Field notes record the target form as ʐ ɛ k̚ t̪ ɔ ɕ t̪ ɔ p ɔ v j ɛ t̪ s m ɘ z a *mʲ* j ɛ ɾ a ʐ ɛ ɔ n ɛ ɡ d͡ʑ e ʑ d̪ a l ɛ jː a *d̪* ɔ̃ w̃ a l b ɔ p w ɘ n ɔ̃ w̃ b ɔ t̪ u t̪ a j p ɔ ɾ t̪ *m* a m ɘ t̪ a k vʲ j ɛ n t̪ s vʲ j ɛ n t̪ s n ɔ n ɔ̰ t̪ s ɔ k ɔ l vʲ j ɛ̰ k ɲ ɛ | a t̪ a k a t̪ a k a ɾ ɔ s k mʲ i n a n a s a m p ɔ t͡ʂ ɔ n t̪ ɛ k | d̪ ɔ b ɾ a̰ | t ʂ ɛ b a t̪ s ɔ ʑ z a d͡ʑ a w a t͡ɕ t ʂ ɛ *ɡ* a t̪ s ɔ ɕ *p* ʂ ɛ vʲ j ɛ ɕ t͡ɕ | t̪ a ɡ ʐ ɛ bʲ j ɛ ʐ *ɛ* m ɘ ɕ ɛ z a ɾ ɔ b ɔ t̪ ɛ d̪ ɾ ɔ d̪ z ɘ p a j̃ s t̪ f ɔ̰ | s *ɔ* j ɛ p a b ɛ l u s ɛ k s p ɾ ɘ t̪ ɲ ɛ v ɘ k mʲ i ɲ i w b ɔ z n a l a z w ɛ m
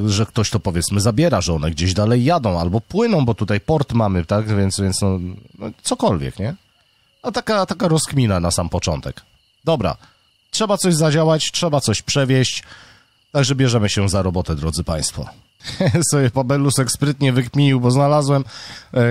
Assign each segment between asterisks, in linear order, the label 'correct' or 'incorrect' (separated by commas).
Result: incorrect, correct, correct, incorrect, correct, correct, correct